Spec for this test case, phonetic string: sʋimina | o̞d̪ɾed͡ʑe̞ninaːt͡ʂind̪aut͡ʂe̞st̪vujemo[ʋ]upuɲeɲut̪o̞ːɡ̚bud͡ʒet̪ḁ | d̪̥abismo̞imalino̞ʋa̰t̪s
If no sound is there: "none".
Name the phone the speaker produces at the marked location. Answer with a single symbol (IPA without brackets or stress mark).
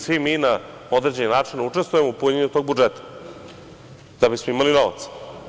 none